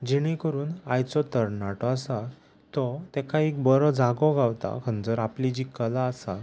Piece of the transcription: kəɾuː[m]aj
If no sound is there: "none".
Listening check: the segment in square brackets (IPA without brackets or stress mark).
n